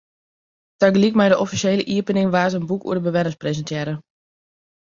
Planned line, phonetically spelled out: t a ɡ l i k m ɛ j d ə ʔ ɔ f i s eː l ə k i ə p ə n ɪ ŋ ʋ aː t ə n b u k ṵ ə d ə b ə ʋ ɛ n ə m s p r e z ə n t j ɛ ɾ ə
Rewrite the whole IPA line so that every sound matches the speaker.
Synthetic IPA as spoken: t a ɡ l i k m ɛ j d ə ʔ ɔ f i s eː l ə ʔ i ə p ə n ɪ ŋ ʋ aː t ə n b u k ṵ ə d ə b ə ʋ ɛ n ə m s p r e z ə n t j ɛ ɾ ə